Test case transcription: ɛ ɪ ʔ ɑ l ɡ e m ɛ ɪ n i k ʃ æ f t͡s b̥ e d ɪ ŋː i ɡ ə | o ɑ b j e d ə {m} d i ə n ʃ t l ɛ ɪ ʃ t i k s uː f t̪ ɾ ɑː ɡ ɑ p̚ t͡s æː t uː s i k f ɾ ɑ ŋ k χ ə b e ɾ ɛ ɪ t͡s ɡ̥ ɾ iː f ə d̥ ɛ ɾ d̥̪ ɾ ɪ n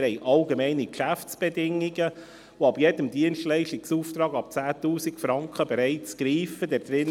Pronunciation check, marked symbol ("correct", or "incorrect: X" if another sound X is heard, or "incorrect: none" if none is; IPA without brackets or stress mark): correct